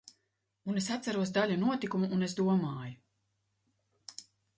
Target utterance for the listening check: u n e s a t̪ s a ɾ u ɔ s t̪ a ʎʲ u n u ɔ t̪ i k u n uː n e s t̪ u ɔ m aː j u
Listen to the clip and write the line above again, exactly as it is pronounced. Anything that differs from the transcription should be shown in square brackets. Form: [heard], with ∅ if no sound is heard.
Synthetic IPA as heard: u n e s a t̪ s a ɾ u ɔ s [d̪] a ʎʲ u n u ɔ t̪ i k u [m] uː n e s [d̪] u ɔ m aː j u